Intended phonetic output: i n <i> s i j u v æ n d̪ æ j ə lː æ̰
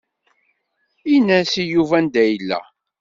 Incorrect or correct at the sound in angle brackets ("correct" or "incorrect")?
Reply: incorrect